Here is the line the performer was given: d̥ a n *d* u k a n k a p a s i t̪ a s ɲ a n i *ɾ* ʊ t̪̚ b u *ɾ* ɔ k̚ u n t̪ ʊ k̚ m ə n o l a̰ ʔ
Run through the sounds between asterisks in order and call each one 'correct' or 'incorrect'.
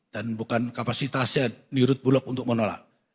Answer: incorrect: b, correct, incorrect: l

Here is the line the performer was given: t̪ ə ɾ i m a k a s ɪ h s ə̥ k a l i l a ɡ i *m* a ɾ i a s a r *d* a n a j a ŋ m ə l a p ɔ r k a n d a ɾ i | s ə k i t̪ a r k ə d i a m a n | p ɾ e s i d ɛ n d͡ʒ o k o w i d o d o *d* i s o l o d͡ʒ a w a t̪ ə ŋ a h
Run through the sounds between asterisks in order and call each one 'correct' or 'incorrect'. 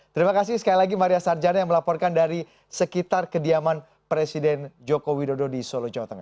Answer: correct, incorrect: d͡ʒ, correct

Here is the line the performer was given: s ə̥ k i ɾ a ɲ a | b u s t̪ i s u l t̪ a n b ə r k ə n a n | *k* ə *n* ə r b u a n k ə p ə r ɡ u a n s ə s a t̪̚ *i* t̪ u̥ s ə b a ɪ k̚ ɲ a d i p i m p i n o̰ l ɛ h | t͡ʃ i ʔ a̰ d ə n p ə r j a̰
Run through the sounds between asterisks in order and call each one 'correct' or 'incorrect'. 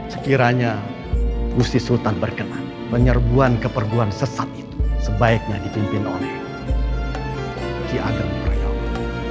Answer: incorrect: p, incorrect: ɲ, correct

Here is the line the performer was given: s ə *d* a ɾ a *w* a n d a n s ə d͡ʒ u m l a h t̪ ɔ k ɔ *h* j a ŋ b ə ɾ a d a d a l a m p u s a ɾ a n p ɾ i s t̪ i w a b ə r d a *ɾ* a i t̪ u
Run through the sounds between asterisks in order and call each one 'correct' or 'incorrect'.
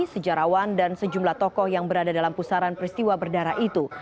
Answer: incorrect: d͡ʒ, correct, correct, correct

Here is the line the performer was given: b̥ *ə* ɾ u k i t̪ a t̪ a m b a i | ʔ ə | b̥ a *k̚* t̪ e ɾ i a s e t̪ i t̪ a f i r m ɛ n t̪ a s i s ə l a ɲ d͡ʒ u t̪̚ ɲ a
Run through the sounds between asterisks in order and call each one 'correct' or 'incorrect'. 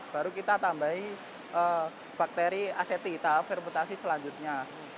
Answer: incorrect: a, correct

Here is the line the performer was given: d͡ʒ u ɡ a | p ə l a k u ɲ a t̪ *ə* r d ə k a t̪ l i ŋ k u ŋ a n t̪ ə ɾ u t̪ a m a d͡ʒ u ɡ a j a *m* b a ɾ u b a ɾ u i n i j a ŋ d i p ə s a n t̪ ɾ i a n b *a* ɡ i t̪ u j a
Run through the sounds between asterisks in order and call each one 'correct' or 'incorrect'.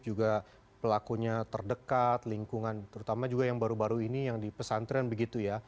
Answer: correct, incorrect: ŋ, incorrect: ə

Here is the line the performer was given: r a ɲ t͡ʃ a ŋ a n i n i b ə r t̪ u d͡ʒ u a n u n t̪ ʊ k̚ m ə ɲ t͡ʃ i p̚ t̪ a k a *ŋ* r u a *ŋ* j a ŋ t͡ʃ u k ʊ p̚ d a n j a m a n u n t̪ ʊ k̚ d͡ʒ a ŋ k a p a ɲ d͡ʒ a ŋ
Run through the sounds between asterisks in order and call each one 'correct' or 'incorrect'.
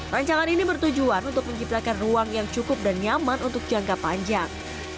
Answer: incorrect: n, correct

